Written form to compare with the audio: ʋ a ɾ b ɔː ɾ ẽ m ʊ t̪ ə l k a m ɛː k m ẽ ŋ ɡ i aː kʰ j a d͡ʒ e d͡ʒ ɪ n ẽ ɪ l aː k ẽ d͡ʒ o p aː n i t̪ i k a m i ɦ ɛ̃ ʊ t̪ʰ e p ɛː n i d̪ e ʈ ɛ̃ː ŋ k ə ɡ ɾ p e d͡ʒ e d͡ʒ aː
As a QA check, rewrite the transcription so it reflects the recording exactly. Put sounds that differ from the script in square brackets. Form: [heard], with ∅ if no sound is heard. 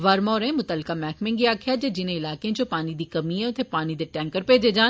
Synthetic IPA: ʋ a ɾ [m] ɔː ɾ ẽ m ʊ t̪ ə l k a m ɛː k m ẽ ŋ ɡ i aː kʰ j a d͡ʒ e d͡ʒ ɪ n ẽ ɪ l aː k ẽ d͡ʒ o p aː n i [d̪] i k [ɐ] m i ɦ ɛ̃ ʊ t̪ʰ e p [aː] n i d̪ e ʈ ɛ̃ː ŋ k ə [∅] ɾ p e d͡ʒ e d͡ʒ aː

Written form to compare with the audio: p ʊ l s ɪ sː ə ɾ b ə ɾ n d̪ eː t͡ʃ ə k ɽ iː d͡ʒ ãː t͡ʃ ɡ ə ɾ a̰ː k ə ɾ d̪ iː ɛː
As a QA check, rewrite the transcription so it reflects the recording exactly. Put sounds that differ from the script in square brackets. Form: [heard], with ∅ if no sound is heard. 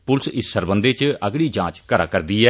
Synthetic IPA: p ʊ l s ɪ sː ə ɾ b ə [∅] n d̪ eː t͡ʃ ə [ɡ] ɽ iː d͡ʒ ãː t͡ʃ [k] ə ɾ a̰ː k ə ɾ d̪ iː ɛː

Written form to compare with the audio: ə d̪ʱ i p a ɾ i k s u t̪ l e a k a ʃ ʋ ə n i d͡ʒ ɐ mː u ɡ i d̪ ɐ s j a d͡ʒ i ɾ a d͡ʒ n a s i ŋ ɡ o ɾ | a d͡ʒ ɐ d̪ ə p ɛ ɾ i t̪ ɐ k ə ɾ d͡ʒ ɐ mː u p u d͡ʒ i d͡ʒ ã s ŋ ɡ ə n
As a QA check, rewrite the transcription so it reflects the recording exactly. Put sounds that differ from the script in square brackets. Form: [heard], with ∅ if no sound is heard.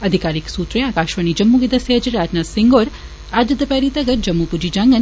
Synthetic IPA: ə d̪ʱ i [k] a ɾ i k s u t̪ [ɾ] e a k a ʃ ʋ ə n i d͡ʒ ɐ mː u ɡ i d̪ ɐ s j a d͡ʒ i ɾ a d͡ʒ n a s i ŋ ɡ o ɾ | a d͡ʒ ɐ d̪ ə p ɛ ɾ i t̪ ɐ [ɡ] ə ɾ d͡ʒ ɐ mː u p u d͡ʒ i d͡ʒ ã [∅] ŋ ɡ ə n

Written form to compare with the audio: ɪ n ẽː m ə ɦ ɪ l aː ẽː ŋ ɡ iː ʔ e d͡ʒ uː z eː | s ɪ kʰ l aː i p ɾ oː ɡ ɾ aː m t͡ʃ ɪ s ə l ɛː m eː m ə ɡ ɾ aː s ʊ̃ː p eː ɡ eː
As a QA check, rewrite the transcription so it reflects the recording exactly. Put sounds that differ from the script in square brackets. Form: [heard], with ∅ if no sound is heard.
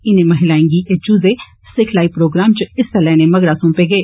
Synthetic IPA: ɪ n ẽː m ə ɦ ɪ l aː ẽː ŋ ɡ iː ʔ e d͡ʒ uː z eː | s ɪ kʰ l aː i p ɾ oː ɡ ɾ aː m t͡ʃ ɪ s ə l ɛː [n] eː m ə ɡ ɾ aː s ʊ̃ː p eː ɡ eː

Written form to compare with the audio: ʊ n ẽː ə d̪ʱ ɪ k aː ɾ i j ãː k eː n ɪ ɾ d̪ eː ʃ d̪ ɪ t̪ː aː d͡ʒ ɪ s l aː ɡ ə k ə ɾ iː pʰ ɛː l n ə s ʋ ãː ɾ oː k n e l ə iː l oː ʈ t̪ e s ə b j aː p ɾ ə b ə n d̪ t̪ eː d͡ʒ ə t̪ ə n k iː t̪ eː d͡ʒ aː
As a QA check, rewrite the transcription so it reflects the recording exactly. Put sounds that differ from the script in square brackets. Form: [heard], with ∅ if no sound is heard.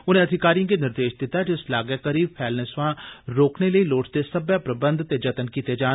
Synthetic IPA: ʊ n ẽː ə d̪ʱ ɪ k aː ɾ i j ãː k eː n ɪ ɾ d̪ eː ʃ d̪ ɪ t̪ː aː d͡ʒ ɪ s l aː ɡ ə k ə ɾ iː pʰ ɛː l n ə s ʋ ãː ɾ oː k n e l ə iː l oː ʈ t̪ e s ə b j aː p ɾ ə b ə n d̪ t̪ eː d͡ʒ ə t̪ ə n k iː t̪ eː d͡ʒ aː

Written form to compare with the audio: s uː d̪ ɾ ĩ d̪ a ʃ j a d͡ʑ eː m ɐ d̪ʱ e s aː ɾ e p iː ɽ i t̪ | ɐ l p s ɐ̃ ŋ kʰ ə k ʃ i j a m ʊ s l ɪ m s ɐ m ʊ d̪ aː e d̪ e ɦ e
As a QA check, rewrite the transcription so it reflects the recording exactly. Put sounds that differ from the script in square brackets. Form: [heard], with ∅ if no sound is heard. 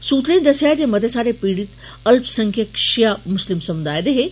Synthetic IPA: s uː [t̪] ɾ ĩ d̪ [ɐ] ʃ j a d͡ʑ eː m ɐ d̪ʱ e s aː ɾ e p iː ɽ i t̪ | ɐ l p s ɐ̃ ŋ kʰ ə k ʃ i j a m ʊ s l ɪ m s ɐ m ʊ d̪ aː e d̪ e ɦ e

